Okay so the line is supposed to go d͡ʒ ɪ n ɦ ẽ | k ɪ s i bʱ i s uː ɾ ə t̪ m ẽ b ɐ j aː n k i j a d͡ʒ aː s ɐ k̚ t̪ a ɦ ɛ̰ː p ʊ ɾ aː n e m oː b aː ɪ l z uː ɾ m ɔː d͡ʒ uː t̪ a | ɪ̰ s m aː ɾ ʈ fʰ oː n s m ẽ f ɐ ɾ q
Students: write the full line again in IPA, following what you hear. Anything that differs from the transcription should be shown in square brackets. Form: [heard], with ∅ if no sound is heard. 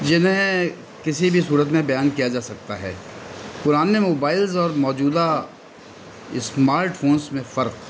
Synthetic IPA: d͡ʒ ɪ n ɦ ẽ | k ɪ s i bʱ i s uː ɾ ə t̪ m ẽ b ɐ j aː n k i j a d͡ʒ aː s ɐ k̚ t̪ a ɦ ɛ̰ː p ʊ ɾ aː n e m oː b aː ɪ l z [ɔː] ɾ m ɔː d͡ʒ uː [d̪] a | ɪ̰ s m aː ɾ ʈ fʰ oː n s m ẽ f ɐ ɾ q